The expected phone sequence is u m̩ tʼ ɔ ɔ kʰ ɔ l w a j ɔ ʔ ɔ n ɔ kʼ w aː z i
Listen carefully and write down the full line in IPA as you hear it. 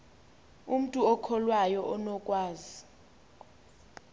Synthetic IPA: u m̩ tʼ u ɔ kʰ ɔ l w a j ɔ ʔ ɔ n ɔ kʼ w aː z i